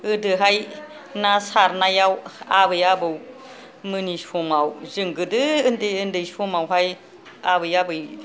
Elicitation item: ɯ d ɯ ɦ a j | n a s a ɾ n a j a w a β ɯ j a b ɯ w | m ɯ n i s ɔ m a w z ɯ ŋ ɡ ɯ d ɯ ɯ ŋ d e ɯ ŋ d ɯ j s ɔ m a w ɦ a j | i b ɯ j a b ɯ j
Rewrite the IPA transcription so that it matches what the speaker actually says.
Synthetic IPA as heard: ɯ d ɯ ɦ a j | n a s a ɾ n a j a w a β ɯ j a b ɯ w | m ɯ n i s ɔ m a w z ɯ ŋ ɡ ɯ d ɯ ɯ n d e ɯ n d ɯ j s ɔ m a w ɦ a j | a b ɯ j a b ɯ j